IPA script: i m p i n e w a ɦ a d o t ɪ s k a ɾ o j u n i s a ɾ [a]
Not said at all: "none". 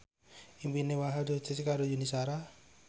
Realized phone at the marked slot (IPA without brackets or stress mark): a